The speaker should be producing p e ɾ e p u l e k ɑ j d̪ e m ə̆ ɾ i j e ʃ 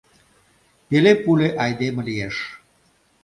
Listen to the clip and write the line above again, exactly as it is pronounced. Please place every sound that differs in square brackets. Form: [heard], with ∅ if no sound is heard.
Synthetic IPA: p e [l] e p u l e [ʔ] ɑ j d̪ e m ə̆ [l] i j e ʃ

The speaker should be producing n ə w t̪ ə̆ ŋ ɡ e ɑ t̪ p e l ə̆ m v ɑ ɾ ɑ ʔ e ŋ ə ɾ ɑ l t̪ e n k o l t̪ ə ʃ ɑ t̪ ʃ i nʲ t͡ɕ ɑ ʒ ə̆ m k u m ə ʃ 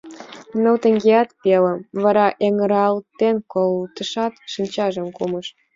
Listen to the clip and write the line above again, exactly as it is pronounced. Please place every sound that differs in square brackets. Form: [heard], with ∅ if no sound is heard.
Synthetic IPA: n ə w t̪ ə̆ ŋ ɡ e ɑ t̪ p e l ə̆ m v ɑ ɾ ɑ ʔ e ŋ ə ɾ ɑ l t̪ e n k o l t̪ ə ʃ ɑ t̪ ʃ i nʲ t͡ɕ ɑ ʒ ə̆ m k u m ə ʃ

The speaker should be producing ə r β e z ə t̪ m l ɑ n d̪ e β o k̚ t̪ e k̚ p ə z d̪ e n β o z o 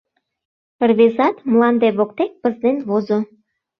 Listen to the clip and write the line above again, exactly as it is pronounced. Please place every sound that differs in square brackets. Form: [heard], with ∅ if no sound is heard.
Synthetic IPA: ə r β e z [ɑ] t̪ m l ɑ n d̪ e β o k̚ t̪ e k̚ p ə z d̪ e n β o z o

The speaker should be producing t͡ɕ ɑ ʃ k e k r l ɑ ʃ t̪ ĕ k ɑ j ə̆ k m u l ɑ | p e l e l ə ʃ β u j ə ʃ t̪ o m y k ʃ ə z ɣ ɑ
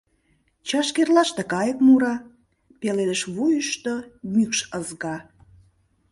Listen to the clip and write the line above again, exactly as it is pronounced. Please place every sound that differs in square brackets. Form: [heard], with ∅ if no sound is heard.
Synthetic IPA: t͡ɕ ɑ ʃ k e [∅] r l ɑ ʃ t̪ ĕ k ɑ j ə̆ k m u [ɾ] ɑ | p e l e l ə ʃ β u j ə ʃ t̪ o m y k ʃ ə z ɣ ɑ

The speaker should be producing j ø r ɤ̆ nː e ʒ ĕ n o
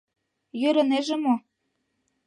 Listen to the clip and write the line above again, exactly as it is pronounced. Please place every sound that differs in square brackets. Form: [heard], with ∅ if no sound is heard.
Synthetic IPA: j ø [ɾ] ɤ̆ [n] e ʒ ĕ [m] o

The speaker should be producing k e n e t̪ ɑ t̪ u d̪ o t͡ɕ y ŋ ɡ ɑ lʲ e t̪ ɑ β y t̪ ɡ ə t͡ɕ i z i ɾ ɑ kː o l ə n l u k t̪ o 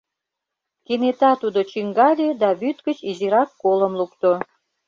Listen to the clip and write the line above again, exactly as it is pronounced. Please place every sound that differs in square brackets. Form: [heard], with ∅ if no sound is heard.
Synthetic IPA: k e n e t̪ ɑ t̪ u d̪ o t͡ɕ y ŋ ɡ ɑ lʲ e [d̪] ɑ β y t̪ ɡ ə t͡ɕ i z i ɾ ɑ kː o l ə [m] l u k t̪ o

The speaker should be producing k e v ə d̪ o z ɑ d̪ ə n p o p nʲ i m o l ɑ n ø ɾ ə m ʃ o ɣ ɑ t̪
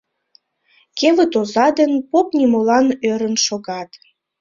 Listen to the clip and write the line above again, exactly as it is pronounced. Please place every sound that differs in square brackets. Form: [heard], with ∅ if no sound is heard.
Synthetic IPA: k e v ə [t̪] o z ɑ d̪ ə n p o p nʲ i m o l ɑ n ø ɾ ə [n] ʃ o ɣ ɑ t̪

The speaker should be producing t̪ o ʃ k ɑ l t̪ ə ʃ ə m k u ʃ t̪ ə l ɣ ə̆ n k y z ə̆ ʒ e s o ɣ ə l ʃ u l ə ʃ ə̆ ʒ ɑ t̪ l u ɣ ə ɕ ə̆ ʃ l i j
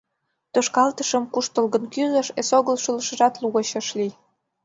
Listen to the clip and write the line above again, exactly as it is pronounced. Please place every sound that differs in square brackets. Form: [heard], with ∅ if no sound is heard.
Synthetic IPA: t̪ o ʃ k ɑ l t̪ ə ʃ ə m k u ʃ t̪ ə l ɣ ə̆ n k y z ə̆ [ʃ] e s o ɣ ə l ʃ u l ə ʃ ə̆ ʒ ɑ t̪ l u ɣ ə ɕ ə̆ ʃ l i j

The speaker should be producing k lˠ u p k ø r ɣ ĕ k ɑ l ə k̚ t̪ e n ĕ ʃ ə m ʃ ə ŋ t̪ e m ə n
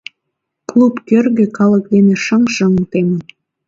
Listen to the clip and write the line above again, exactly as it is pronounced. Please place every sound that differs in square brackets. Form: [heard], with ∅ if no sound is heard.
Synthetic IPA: k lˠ u p k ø r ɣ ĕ k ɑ l ə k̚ [d̪] e n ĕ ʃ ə [ŋ] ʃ ə ŋ t̪ e m ə n

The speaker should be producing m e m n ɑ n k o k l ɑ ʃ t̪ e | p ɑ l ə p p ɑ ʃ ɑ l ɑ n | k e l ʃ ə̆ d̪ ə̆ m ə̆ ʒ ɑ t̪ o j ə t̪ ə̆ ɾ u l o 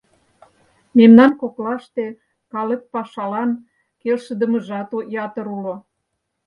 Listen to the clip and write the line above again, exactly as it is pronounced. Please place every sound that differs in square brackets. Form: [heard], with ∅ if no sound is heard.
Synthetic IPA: m e m n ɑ n k o k l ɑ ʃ t̪ e | [k] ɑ l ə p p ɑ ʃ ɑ l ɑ n | k e l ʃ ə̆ d̪ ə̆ m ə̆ ʒ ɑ t̪ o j [ɑ] t̪ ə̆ ɾ u l o

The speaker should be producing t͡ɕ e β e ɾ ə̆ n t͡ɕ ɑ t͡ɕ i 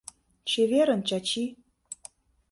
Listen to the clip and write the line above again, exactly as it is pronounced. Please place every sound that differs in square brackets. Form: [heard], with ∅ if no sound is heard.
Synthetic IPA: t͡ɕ e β e ɾ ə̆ n t͡ɕ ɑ t͡ɕ i

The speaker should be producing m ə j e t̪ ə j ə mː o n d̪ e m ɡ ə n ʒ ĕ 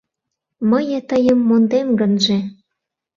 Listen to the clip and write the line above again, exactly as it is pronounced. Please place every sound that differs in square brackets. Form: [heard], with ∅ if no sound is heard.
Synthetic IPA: m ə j e t̪ ə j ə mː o n d̪ e m ɡ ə n ʒ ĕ

